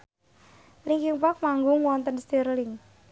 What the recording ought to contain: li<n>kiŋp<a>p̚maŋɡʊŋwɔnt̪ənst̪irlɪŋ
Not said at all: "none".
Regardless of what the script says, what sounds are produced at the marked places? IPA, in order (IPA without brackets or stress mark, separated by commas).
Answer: ŋ, a